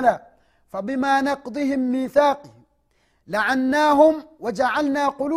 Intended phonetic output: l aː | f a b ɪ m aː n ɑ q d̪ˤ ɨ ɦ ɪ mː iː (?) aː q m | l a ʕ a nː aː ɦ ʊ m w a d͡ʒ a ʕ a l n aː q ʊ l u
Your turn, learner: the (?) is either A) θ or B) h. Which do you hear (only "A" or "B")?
A